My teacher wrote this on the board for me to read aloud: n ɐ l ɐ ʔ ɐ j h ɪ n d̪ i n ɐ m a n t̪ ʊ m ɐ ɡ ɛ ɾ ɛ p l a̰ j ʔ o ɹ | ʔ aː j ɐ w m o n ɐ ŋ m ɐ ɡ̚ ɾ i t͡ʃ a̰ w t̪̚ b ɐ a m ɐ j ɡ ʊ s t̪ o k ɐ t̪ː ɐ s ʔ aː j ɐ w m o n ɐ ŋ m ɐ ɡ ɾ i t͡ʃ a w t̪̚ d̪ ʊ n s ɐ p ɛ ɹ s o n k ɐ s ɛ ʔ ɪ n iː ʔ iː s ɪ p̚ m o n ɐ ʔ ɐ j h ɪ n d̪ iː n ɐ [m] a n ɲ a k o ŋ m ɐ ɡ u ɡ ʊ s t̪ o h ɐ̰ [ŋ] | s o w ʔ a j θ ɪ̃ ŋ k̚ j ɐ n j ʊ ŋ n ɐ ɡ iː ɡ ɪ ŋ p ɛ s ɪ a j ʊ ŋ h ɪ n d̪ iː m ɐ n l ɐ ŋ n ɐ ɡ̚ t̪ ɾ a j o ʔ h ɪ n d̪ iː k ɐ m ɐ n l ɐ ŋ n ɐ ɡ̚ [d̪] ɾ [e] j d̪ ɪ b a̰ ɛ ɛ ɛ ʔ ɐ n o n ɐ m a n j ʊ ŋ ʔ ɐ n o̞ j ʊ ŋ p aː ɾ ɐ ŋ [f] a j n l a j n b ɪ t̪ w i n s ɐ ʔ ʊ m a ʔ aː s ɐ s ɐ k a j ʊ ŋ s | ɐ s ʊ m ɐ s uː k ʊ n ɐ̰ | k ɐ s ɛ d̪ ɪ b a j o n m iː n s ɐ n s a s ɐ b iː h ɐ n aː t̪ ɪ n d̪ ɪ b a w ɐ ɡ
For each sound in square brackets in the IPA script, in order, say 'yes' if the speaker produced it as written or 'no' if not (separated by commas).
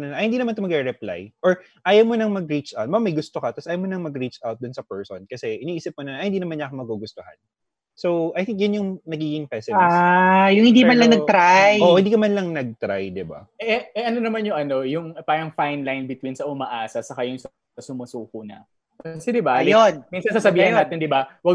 yes, no, no, no, yes